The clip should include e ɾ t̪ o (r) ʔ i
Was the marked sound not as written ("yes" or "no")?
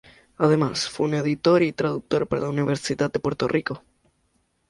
no